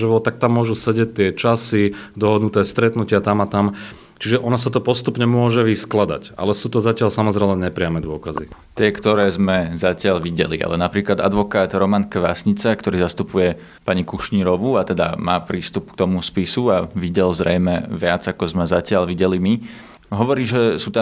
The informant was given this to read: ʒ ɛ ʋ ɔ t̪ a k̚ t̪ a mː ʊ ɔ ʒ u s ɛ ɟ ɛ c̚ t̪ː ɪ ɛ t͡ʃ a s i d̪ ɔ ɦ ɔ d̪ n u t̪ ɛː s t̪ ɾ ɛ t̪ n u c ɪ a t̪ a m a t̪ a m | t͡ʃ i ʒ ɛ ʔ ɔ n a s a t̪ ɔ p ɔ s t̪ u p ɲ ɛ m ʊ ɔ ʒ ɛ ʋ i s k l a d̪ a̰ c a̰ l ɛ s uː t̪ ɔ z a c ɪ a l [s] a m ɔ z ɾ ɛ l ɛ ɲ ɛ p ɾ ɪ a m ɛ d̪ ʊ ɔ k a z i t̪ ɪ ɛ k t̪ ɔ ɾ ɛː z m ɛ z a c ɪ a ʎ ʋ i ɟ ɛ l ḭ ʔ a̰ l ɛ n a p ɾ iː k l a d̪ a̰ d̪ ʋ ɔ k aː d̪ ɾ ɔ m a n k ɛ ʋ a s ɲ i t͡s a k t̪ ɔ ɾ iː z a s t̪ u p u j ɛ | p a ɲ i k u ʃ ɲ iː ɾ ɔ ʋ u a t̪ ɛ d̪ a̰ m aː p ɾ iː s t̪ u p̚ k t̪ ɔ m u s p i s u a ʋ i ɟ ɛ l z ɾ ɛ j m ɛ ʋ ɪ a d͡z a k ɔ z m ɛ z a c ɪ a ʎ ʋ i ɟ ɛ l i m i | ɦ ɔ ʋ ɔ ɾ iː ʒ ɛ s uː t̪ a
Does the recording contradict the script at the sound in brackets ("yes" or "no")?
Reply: no